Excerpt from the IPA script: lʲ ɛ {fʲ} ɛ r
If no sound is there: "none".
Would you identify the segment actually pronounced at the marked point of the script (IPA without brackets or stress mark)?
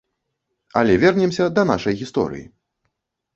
vʲ